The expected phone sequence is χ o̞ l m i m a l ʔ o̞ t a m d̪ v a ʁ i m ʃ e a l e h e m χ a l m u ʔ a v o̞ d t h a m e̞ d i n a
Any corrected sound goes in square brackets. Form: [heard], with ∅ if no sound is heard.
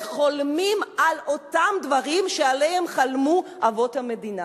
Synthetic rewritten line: χ o̞ l m i m a l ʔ o̞ t a m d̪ v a ʁ i m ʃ e a l e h e m χ a l m u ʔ a v o̞ [∅] t h a m e̞ d i n a